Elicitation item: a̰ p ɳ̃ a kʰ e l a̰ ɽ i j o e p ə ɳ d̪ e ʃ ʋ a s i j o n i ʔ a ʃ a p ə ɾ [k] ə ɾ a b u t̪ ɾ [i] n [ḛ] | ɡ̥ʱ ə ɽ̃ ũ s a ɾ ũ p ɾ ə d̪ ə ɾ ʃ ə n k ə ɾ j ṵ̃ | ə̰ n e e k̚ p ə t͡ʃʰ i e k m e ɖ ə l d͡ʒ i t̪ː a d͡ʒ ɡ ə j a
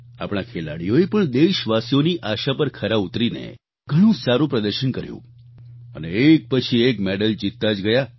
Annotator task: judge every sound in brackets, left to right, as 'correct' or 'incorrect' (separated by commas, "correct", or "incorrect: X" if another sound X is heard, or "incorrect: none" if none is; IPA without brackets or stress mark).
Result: incorrect: kʰ, correct, correct